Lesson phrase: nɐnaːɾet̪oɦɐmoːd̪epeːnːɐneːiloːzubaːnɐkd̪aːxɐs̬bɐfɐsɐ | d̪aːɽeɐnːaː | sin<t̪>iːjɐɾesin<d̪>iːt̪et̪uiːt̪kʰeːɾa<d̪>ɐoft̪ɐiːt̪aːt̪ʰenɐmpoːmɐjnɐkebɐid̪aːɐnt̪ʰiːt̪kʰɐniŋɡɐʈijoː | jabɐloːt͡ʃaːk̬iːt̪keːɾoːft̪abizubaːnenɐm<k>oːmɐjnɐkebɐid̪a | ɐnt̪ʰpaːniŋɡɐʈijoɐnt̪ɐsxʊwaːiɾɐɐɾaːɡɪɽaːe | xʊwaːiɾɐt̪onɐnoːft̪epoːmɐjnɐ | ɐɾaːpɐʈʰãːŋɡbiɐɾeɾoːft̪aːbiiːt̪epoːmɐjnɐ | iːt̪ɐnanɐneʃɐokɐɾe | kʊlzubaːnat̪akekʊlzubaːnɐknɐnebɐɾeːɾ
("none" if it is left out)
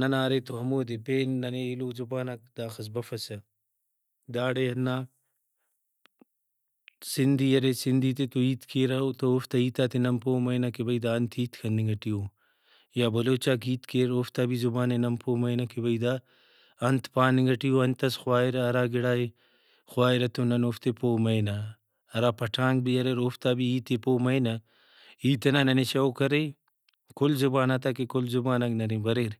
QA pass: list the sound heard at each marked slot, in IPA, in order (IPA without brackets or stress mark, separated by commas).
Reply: d̪, d̪, t̪, p